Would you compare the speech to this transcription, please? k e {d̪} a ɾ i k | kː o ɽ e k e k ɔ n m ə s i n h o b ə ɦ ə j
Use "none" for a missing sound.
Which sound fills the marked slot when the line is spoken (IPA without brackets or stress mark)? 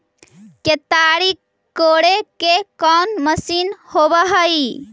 t̪